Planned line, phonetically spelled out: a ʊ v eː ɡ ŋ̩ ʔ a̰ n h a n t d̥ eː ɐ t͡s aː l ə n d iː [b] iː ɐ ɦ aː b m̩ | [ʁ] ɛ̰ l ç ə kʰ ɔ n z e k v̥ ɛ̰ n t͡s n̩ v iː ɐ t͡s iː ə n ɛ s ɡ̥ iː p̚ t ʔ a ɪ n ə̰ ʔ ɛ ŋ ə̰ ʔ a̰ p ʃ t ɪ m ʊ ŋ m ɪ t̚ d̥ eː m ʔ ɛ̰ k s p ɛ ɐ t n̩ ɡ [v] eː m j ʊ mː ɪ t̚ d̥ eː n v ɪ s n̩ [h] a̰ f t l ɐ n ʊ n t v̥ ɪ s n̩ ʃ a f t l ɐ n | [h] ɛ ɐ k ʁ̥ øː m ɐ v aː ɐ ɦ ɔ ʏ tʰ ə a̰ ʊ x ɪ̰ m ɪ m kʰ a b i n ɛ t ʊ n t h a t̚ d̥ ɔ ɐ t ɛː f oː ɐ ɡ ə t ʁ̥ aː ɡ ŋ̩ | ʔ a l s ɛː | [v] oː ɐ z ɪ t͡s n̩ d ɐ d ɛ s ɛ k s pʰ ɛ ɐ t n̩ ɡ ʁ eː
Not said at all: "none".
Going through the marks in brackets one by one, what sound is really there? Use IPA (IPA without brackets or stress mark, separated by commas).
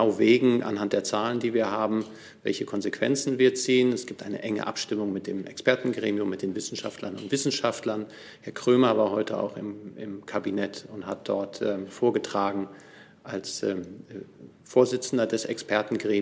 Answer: v, v, ʁ, ʃ, h, f